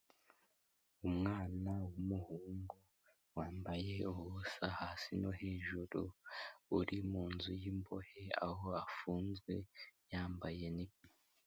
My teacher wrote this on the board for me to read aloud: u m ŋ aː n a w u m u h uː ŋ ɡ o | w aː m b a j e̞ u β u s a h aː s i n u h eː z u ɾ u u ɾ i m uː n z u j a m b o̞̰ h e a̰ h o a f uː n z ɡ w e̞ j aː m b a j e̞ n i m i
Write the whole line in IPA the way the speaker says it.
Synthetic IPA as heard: u m ŋ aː n a w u m u h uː ŋ ɡ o | w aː m b a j e̞ u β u s a h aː s i n o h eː ʒ u ɾ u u ɾ i m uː n z u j i m b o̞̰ h e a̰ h o a f uː n z ɡ w e̞ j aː m b a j e̞ n i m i